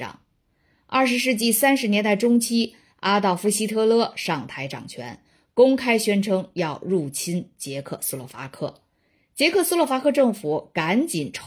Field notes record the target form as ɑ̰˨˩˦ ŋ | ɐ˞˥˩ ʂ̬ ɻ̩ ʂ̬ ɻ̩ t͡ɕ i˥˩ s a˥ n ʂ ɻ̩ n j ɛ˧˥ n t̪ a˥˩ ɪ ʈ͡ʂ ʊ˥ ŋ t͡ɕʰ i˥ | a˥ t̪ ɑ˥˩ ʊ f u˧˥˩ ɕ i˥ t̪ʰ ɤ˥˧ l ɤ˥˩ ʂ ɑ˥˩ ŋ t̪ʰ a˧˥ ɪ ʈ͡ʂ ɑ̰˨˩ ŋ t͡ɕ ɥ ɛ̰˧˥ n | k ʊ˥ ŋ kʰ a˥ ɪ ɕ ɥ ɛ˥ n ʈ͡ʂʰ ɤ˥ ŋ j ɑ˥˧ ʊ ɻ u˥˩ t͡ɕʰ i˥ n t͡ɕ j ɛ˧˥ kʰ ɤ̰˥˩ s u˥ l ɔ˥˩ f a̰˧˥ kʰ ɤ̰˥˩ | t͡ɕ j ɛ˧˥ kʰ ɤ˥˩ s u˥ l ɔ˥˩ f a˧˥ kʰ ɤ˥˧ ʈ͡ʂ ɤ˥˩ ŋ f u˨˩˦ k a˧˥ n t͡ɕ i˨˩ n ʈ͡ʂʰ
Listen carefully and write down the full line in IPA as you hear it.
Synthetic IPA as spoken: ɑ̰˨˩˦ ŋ | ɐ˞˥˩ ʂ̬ ɻ̩ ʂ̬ ɻ̩ t͡ɕ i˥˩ s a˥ n ʂ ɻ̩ n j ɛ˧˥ n t̪ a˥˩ ɪ ʈ͡ʂ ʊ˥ ŋ t͡ɕʰ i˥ | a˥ t̪ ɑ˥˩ ʊ f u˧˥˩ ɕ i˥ t̪ʰ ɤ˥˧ l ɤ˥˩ ʂ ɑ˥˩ ŋ t̪ʰ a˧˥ ɪ ʈ͡ʂ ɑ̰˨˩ ŋ t͡ɕʰ ɥ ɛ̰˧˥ n | k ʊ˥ ŋ kʰ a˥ ɪ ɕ ɥ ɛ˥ n ʈ͡ʂʰ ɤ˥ ŋ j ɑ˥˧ ʊ ɻ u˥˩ t͡ɕʰ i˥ n t͡ɕ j ɛ˧˥ kʰ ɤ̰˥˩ s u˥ l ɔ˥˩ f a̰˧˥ kʰ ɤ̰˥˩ | t͡ɕ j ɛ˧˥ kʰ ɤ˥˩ s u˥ l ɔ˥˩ f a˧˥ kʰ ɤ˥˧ ʈ͡ʂ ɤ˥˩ ŋ f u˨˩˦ k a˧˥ n t͡ɕ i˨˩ n ʈ͡ʂʰ